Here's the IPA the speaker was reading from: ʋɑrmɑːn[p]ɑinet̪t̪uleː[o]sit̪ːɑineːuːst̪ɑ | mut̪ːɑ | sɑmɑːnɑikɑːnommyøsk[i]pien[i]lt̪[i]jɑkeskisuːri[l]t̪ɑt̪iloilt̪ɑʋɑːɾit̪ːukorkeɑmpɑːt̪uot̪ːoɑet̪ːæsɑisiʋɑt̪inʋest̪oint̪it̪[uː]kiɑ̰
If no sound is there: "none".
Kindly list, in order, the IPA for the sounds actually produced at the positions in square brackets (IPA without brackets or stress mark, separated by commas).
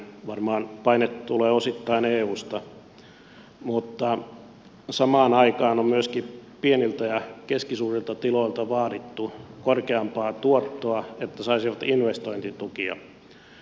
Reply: p, o, i, i, æ, l, u